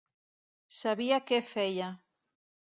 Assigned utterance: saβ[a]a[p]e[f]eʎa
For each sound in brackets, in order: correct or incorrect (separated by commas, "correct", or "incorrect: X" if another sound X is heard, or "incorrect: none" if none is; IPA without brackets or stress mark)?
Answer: incorrect: i, incorrect: k, correct